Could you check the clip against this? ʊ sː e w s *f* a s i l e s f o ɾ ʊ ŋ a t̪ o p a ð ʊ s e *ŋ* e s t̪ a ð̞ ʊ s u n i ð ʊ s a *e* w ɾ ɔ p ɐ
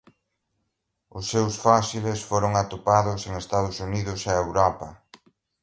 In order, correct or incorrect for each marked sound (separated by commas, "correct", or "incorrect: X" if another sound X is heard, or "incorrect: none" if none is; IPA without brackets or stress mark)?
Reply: correct, correct, correct